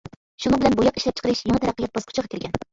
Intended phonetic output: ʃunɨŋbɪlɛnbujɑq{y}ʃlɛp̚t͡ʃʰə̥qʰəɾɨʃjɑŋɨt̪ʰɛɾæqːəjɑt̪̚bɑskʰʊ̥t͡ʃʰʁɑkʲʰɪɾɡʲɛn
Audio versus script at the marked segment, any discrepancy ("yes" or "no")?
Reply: yes